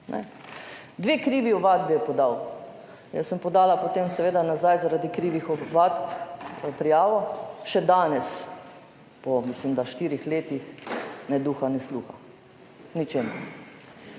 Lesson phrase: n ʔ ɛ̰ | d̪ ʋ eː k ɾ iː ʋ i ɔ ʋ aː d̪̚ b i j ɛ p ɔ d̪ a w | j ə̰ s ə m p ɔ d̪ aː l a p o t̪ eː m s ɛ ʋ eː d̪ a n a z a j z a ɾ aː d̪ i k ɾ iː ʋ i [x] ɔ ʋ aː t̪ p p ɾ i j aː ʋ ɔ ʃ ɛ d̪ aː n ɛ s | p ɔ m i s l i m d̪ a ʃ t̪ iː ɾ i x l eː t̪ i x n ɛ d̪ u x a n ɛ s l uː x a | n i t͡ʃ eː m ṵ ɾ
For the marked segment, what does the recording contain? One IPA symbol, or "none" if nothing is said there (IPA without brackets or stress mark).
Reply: x